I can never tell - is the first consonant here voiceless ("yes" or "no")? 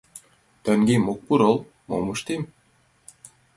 yes